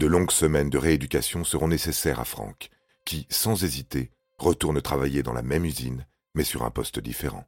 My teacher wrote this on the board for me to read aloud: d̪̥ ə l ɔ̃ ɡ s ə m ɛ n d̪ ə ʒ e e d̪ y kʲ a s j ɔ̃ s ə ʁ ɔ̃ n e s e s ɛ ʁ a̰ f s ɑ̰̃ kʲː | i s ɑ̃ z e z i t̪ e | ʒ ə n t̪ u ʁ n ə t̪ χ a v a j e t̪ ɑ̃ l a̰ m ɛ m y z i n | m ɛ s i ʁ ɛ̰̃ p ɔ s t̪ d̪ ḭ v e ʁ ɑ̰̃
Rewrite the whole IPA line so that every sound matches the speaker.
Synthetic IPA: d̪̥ ə l ɔ̃ ɡ s ə m ɛ n d̪ ə ʁ e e d̪ y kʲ a s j ɔ̃ s ə ʁ ɔ̃ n e s e s ɛ ʁ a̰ f χ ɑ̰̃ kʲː | i s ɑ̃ z e z i t̪ e | ʁ ə t̪ u ʁ n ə t̪ χ a v a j e d̪ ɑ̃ l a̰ m ɛ m y z i n | m ɛ s y ʁ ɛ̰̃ p ɔ s t̪ d̪ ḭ f e ʁ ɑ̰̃